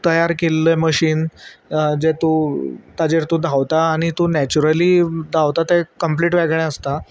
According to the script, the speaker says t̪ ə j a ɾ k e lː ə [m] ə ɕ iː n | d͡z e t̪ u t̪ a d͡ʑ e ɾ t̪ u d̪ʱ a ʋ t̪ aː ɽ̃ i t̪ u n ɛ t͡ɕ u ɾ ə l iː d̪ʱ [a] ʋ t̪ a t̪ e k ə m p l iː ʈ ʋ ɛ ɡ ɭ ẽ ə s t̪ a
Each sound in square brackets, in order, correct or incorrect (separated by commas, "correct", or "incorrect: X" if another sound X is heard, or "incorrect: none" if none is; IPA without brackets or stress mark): correct, correct